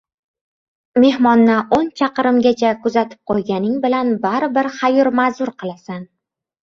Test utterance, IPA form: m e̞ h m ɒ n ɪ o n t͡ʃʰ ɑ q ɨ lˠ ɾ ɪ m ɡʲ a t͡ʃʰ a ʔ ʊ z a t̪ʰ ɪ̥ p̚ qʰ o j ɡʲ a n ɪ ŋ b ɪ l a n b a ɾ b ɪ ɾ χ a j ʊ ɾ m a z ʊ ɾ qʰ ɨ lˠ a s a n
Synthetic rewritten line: m e̞ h m ɒ nː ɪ o n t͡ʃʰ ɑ q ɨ ɾ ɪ m ɡʲ a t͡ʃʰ a k ʊ z a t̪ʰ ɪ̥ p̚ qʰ o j ɡʲ a n ɪ ŋ b ɪ l a n b a ɾ b ɪ ɾ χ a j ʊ ɾ m a z ʊ ɾ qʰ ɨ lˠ a s a n